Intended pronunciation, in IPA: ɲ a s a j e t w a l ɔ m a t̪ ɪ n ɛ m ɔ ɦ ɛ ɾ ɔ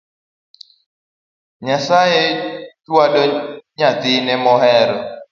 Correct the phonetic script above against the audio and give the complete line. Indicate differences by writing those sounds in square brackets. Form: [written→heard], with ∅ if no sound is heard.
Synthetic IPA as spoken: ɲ a s a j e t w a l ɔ [m→ɲ] a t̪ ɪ n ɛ m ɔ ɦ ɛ ɾ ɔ

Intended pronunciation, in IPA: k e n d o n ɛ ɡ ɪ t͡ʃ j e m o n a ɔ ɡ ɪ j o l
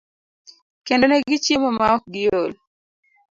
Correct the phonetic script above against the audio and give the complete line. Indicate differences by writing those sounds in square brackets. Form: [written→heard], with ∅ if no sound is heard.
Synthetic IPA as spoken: k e n d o n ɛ ɡ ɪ t͡ʃ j e m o [n→m] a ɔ ɡ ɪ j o l

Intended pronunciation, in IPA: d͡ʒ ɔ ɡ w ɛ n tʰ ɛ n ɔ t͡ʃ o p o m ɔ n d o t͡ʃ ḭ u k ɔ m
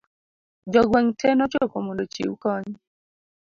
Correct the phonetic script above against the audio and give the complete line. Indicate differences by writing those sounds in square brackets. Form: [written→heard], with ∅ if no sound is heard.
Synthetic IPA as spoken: d͡ʒ ɔ ɡ w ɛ [n→ŋ] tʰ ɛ n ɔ t͡ʃ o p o m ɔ n d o t͡ʃ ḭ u k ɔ [m→ɲ]

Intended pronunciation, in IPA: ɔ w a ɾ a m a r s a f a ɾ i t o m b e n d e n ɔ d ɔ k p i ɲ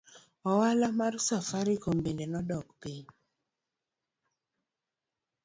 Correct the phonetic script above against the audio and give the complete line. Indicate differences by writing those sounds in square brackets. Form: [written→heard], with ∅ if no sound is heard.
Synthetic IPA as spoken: ɔ w a [ɾ→l] a m a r s a f a ɾ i [t→k] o m b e n d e n ɔ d ɔ k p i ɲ

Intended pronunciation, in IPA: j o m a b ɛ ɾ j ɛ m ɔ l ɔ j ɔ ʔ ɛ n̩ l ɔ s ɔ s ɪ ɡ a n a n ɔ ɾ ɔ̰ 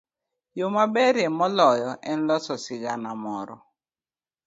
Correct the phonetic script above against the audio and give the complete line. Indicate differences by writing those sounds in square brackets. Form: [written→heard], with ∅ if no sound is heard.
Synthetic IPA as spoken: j o m a b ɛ ɾ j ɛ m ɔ l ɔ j ɔ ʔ ɛ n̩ l ɔ s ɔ s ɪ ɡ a n a [n→m] ɔ ɾ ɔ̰

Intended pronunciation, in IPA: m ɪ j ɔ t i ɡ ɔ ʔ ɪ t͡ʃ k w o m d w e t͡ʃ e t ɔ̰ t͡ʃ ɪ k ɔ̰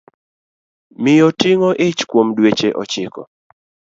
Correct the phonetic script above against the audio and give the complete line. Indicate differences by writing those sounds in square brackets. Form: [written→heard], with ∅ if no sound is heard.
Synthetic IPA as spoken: m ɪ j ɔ t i [ɡ→ŋ] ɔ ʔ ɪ t͡ʃ k w o m d w e t͡ʃ e [t→ʔ] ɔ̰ t͡ʃ ɪ k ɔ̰

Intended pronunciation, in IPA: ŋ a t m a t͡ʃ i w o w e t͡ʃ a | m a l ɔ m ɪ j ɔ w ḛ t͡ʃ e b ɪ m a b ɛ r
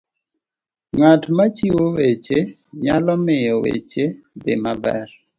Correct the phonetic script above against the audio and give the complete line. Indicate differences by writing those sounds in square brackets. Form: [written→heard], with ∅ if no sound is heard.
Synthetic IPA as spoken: ŋ a t m a t͡ʃ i w o w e t͡ʃ [a→e] | [m→ɲ] a l ɔ m ɪ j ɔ w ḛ t͡ʃ e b ɪ m a b ɛ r

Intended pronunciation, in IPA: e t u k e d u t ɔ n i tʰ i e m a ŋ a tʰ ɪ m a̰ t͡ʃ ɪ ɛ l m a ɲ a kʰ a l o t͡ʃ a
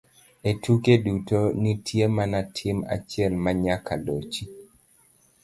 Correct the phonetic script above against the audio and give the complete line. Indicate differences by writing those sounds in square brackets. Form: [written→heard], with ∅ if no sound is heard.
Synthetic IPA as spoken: e t u k e d u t [ɔ→o] n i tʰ [i→j] e m a [ŋ→n] a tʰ ɪ m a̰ t͡ʃ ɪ ɛ l m a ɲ a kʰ a l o t͡ʃ [a→i]

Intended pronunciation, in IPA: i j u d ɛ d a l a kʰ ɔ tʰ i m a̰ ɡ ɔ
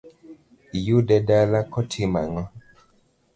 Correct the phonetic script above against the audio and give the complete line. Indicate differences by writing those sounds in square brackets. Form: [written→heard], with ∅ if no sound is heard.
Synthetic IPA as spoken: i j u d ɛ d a l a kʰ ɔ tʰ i m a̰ [ɡ→ŋ] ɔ

